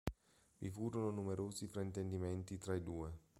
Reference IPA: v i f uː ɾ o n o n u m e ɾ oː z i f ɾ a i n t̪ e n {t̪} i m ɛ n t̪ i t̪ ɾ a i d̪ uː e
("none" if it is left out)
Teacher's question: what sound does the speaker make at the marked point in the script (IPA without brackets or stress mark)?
d̪